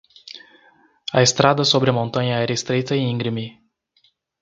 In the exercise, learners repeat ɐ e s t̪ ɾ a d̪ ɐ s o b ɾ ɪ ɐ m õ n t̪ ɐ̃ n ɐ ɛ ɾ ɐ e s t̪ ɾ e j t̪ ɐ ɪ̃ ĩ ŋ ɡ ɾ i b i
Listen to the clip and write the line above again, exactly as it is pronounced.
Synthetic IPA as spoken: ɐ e s t̪ ɾ a d̪ ɐ s o b ɾ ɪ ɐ m õ n t̪ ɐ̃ ɲ ɐ ɛ ɾ ɐ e s t̪ ɾ e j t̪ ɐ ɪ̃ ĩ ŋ ɡ ɾ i m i